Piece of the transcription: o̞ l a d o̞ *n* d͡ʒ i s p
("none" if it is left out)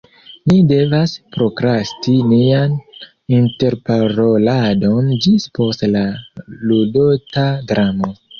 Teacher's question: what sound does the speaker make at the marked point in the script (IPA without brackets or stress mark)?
n